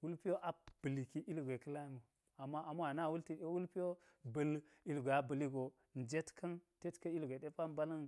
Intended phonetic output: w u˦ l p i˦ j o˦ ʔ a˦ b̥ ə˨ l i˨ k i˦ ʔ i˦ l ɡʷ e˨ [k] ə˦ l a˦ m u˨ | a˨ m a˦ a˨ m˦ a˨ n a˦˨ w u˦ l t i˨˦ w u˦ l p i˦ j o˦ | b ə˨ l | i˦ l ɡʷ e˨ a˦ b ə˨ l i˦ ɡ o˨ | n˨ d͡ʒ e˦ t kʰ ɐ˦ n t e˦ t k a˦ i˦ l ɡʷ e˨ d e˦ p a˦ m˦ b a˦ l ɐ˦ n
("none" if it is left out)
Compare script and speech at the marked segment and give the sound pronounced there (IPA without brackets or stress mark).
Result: k